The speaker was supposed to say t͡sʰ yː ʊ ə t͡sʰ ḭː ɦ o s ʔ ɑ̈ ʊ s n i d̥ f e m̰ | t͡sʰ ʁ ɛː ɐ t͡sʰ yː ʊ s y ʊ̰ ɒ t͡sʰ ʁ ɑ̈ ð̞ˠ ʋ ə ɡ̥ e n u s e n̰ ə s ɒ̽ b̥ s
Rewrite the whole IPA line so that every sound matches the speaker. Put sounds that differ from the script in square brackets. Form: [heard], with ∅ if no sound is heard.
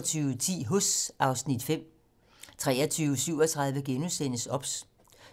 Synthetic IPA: t͡sʰ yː ʊ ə t͡sʰ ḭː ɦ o s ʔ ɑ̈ ʊ s n i d̥ f e m̰ | t͡sʰ ʁ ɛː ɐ t͡sʰ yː ʊ s y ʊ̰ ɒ t͡sʰ ʁ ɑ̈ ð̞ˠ ʋ ə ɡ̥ e n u s e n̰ ə s ɒ̽ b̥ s